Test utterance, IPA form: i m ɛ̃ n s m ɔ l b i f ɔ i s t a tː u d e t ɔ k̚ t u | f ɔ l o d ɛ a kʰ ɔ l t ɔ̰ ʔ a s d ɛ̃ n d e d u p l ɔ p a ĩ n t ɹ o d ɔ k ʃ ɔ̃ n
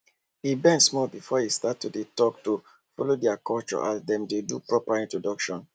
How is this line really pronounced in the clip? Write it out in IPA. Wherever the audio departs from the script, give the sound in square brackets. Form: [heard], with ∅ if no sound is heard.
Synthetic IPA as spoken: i [b] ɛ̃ n s m ɔ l b i f ɔ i s t a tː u d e t ɔ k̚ t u | f ɔ l o d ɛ a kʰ ɔ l [t͡ʃ] ɔ̰ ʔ a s d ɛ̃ [m] d e d u p [ɹ] ɔ p a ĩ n t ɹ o d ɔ k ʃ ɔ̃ n